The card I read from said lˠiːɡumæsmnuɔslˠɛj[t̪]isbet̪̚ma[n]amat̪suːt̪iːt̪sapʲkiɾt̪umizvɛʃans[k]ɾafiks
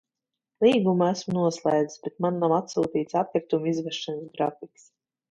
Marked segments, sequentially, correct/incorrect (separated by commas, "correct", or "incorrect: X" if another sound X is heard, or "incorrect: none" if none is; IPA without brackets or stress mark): incorrect: d̪, incorrect: nː, incorrect: ɡ